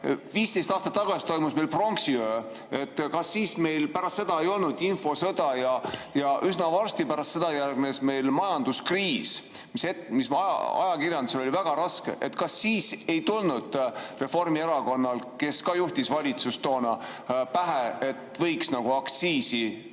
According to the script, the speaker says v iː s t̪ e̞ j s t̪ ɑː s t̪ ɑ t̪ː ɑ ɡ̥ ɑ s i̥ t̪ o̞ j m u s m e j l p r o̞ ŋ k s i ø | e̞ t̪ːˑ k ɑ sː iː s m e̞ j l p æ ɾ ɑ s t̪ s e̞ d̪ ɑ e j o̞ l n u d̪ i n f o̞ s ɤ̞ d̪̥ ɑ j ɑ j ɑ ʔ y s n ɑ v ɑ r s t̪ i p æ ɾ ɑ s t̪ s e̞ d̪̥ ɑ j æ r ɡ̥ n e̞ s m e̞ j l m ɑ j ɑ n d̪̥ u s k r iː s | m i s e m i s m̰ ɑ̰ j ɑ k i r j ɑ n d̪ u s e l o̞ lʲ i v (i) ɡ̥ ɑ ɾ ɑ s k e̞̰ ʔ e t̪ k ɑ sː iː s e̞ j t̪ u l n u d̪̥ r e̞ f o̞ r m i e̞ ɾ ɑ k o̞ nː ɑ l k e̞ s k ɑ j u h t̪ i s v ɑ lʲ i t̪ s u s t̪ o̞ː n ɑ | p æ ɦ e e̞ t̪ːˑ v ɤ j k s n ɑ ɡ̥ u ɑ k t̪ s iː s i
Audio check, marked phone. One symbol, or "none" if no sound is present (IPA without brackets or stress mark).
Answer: æ